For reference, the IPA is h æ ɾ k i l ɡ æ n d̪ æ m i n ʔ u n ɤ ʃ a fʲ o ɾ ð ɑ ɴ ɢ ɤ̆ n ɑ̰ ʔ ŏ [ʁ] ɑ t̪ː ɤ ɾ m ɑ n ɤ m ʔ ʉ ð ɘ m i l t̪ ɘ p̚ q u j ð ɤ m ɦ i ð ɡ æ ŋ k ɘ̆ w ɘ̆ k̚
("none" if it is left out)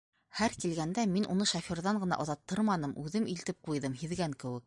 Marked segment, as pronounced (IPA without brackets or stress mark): ð